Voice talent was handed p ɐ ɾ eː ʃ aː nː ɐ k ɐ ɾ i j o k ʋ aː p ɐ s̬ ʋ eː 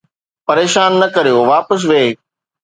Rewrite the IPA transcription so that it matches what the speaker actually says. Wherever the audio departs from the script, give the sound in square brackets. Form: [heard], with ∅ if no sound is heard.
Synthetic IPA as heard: p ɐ ɾ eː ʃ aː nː ɐ k ɐ ɾ i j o [∅] ʋ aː p [ə] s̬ ʋ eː